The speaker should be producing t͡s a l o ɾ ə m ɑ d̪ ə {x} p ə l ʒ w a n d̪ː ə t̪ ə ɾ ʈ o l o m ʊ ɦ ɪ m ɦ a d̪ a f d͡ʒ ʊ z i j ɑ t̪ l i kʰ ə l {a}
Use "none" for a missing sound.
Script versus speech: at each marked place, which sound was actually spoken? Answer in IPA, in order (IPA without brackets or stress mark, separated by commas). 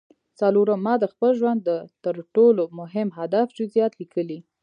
x, i